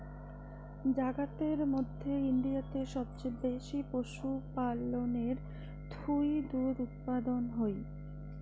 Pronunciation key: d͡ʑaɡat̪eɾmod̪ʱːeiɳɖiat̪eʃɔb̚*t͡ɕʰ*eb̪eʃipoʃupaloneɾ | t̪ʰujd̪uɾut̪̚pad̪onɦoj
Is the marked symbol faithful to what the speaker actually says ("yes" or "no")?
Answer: no